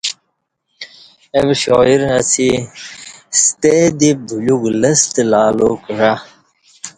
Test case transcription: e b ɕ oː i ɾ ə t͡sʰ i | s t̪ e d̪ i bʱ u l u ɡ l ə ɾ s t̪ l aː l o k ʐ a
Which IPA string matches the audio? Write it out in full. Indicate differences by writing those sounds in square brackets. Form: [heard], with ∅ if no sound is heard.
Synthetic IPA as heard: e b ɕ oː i ɾ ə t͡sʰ i | s t̪ e d̪ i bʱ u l u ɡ l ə [∅] s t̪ l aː l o k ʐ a